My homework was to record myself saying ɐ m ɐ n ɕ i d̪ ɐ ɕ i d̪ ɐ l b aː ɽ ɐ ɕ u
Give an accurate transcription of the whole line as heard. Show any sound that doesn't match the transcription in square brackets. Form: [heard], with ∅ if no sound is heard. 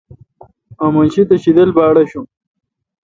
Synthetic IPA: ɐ m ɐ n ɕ i [t̪] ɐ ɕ i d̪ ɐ l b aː ɽ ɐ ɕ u